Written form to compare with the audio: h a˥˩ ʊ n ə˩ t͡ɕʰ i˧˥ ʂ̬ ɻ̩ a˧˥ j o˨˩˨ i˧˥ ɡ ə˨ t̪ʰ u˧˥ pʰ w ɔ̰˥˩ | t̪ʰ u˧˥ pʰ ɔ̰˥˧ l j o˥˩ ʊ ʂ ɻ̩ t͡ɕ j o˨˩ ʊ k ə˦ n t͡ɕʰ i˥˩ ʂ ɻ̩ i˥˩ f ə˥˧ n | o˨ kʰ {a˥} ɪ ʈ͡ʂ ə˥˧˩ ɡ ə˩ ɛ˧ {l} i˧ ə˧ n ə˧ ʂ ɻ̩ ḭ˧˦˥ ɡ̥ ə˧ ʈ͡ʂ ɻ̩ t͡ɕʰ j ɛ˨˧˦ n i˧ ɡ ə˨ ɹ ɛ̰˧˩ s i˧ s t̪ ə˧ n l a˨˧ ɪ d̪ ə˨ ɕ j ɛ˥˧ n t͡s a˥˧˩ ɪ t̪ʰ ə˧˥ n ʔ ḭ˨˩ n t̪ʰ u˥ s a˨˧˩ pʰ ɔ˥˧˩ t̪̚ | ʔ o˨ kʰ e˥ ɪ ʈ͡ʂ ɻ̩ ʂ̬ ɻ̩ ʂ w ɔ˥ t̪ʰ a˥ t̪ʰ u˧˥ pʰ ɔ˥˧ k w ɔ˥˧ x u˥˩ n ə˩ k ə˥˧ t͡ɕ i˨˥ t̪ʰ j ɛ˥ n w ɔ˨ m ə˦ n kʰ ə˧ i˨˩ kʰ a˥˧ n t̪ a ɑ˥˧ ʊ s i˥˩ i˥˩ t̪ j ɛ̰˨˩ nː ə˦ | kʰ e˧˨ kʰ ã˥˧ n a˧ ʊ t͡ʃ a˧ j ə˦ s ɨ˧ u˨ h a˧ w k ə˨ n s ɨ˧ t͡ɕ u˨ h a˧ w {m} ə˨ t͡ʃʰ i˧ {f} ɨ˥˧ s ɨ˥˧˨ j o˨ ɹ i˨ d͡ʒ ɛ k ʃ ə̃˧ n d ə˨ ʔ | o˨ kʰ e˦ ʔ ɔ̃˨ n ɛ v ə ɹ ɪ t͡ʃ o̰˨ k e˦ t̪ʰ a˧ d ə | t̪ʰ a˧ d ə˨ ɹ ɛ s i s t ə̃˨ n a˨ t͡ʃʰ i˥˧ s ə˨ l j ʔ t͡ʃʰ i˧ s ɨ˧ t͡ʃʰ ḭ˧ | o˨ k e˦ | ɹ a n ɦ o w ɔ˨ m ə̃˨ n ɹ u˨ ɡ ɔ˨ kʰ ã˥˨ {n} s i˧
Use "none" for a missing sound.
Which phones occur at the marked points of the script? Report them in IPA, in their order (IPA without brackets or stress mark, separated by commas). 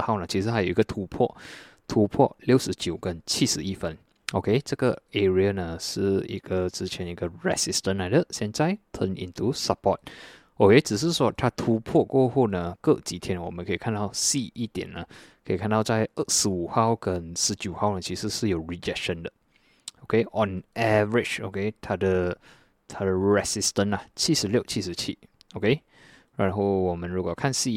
e˥, ɹ, n, s, n